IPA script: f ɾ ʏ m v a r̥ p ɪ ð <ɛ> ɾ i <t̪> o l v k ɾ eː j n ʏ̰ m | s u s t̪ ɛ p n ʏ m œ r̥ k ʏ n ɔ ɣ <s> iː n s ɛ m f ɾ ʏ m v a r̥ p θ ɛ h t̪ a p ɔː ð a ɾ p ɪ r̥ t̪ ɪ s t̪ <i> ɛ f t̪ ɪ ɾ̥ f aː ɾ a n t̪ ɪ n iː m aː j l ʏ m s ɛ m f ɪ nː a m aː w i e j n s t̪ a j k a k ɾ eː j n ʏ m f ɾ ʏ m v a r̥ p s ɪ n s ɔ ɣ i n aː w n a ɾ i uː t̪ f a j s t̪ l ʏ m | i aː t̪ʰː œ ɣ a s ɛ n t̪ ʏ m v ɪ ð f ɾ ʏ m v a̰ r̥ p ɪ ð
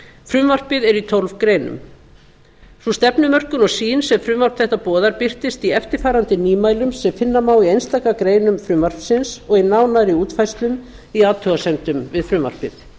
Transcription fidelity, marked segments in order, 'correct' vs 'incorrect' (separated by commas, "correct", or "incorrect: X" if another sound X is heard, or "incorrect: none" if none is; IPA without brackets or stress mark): correct, incorrect: t̪ʰ, correct, correct